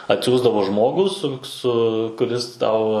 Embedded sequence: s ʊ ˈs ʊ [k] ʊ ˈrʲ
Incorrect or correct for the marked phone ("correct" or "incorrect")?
correct